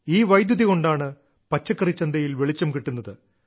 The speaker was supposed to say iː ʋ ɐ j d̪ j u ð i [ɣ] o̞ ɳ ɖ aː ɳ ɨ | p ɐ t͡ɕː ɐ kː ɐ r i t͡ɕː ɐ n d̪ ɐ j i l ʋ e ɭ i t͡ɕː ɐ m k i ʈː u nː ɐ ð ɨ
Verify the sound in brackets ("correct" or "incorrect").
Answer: correct